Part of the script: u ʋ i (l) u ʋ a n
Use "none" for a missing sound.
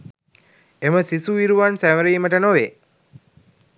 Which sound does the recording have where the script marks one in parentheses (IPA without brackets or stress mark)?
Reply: ɾ